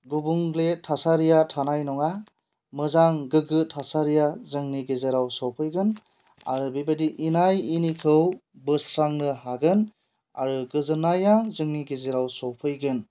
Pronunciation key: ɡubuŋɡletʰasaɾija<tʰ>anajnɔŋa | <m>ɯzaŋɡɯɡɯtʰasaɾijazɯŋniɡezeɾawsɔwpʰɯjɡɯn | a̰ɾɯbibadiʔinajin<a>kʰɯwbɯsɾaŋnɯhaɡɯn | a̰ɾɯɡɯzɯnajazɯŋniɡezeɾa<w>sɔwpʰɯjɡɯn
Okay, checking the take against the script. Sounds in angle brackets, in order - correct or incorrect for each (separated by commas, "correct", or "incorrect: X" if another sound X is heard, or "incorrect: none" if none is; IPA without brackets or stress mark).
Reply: correct, correct, incorrect: i, correct